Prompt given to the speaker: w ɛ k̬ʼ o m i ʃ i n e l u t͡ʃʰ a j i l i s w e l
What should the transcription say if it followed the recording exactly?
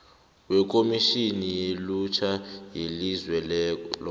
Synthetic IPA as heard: w ɛ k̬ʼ o m i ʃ i n i l u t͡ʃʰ a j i l i z w ɛ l